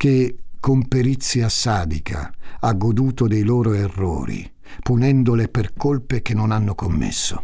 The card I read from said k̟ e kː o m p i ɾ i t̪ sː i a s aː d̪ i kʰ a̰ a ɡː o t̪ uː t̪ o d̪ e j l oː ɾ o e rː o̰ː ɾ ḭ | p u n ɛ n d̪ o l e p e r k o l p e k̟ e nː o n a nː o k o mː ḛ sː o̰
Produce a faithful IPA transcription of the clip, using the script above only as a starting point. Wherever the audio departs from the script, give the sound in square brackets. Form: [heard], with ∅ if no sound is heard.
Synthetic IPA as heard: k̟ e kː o m p [e] ɾ i t̪ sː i a s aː d̪ i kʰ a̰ a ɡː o [d̪] uː t̪ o d̪ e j l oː ɾ o e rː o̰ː ɾ ḭ | p u n ɛ n d̪ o l e p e r k o l p e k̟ e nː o n a nː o k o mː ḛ sː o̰